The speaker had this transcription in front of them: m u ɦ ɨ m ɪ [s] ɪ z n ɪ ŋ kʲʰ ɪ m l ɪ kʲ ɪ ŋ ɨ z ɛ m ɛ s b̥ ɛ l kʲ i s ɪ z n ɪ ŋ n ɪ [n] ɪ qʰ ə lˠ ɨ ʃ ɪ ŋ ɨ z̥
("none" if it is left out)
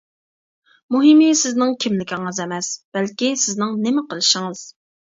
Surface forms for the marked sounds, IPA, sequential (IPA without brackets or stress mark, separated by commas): s, m